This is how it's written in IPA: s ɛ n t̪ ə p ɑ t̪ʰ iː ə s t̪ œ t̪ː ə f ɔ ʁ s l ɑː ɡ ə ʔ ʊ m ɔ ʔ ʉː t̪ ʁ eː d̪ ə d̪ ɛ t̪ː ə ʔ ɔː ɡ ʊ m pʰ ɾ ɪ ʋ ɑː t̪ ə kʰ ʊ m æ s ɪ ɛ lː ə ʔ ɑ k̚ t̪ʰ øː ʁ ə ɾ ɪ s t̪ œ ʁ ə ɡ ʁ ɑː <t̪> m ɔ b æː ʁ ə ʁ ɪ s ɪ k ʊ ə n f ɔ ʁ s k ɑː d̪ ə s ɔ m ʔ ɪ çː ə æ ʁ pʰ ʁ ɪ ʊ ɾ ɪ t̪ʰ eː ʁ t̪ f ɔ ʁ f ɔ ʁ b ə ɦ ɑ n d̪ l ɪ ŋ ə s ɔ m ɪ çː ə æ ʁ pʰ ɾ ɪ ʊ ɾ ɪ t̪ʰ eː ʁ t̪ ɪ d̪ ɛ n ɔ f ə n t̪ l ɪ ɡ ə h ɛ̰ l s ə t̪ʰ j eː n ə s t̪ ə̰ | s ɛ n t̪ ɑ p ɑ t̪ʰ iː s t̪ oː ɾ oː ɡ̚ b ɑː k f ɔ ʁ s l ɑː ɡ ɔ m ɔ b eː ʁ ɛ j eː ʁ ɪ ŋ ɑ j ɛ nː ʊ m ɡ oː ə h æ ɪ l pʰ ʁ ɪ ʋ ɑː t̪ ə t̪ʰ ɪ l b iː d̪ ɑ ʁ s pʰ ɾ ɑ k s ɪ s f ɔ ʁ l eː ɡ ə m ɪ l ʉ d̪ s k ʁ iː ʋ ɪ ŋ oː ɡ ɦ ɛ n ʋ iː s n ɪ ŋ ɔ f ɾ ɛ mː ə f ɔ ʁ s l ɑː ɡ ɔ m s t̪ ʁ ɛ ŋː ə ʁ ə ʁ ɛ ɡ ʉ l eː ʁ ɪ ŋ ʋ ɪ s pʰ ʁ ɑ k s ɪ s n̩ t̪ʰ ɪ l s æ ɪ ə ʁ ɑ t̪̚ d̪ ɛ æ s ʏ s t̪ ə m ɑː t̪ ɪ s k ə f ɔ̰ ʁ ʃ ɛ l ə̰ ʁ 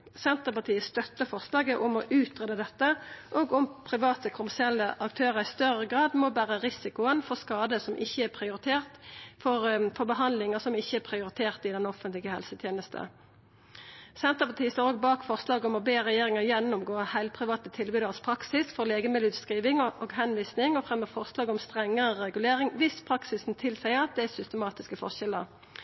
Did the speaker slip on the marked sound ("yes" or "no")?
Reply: yes